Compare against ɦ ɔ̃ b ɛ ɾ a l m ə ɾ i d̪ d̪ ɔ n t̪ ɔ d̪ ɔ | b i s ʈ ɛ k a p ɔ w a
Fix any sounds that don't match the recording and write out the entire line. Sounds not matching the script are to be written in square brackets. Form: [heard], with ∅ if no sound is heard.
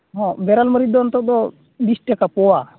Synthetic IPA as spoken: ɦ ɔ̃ b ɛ ɾ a l m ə ɾ i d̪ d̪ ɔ n t̪ ɔ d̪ ɔ | b i s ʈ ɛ k a p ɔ w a

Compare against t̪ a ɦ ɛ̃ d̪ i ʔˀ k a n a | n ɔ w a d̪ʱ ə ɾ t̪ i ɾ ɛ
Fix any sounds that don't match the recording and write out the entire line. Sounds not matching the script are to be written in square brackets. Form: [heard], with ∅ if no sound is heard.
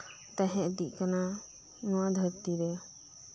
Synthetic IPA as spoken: t̪ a ɦ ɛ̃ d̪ i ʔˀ k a n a | n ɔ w a d̪ʱ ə ɾ t̪ i ɾ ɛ

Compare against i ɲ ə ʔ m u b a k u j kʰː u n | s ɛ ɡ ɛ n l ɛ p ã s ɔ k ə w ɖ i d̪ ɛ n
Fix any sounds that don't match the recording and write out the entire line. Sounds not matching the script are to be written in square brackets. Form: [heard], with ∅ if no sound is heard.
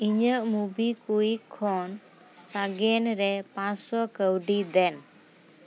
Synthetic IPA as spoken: i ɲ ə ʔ m u b [i] k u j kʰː [ɔ] n | s [a] ɡ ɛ n [ɾ] ɛ p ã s ɔ k ə w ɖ i d̪ ɛ n

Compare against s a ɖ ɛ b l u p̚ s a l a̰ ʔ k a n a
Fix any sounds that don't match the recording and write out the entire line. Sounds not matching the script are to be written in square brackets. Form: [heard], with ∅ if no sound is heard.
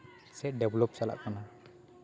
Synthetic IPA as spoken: s [ɛ] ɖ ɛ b l [ɔ] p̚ s a l a̰ ʔ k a n a

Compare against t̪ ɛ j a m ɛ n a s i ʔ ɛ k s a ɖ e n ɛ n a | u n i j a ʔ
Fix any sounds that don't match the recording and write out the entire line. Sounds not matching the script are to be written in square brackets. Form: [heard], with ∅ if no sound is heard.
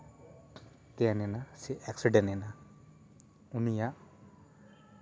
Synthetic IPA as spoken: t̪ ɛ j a [n] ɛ n a s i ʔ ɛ k s [i] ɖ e n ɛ n a | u n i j a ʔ

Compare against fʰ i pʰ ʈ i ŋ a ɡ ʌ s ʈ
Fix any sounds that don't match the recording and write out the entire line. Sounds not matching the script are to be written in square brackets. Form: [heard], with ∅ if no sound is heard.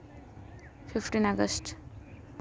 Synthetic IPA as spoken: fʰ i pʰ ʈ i [n] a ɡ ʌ s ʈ

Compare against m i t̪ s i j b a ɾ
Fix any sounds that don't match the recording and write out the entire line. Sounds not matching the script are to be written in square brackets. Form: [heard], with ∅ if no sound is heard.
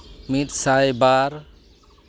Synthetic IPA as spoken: m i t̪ s [a] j b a ɾ

